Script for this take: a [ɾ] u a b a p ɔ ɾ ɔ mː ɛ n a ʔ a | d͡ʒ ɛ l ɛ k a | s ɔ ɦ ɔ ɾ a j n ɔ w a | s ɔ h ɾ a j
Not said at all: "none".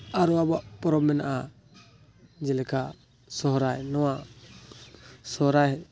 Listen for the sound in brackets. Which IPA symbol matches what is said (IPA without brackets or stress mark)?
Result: ɾ